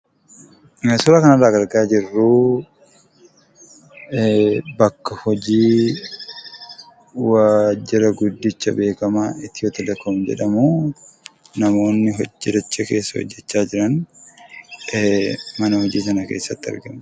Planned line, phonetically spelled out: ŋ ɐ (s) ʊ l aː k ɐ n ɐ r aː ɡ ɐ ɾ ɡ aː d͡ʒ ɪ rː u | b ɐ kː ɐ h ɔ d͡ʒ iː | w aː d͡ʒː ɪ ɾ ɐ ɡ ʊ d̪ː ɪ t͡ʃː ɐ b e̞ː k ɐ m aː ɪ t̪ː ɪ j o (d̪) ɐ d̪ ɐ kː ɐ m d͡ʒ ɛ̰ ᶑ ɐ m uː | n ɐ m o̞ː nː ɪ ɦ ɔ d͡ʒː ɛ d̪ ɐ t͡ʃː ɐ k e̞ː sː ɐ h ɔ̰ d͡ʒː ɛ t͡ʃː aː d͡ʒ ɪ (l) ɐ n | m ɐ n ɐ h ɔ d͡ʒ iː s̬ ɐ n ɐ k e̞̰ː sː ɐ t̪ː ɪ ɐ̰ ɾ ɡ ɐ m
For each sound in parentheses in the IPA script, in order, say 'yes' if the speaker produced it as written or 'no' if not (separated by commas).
yes, no, no